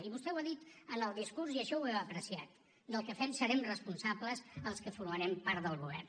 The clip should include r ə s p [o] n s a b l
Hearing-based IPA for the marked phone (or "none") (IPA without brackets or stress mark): u